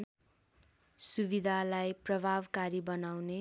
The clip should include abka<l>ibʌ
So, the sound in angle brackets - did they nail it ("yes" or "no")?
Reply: no